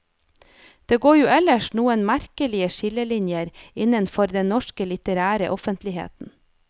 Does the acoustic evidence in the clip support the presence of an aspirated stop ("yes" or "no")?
no